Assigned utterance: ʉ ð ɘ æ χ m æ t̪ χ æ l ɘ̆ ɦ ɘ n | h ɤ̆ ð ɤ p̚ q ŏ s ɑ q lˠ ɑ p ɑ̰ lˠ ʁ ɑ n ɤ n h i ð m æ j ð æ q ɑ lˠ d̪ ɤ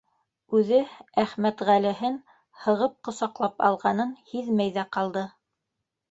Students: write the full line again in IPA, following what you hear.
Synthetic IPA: ʉ ð ɘ æ χ m æ t̪ ʁ æ l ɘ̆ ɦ ɘ n | h ɤ̆ ʁ ɤ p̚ q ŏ s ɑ q lˠ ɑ p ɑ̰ lˠ ʁ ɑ n ɤ n h i ð m æ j ð æ q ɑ lˠ d̪ ɤ